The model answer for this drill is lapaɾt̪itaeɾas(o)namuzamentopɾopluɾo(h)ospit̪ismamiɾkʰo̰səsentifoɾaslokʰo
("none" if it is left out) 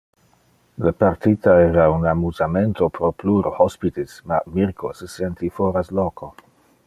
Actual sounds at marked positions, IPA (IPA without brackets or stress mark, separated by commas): u, h